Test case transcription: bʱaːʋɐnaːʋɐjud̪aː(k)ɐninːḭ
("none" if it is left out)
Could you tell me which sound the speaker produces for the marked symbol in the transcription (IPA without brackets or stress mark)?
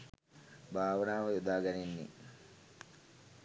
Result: ɡ